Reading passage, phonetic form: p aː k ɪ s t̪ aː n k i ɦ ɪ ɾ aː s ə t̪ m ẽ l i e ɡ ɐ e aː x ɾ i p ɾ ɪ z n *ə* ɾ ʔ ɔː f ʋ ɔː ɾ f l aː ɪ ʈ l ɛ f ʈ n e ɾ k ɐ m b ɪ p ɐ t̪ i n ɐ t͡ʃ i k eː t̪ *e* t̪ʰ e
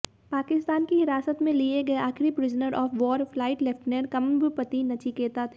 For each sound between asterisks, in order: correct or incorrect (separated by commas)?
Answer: correct, incorrect